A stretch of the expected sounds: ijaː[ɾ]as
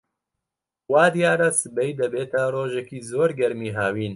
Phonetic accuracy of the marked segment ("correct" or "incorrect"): correct